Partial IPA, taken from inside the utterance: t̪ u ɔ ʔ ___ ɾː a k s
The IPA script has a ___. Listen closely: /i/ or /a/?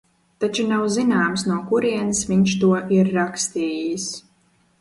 i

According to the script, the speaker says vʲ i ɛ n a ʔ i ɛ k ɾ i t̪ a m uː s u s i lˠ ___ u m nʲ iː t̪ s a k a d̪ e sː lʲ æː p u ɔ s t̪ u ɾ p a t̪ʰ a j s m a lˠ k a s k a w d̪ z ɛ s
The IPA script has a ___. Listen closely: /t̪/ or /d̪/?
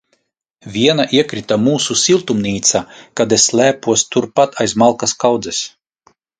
t̪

